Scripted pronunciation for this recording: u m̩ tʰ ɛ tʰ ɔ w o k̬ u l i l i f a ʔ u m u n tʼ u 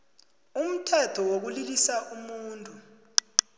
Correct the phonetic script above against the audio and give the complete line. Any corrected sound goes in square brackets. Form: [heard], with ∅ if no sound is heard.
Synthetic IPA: u m̩ tʰ ɛ tʰ ɔ w o k̬ u l i l i [s] a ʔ u m [uː] n tʼ u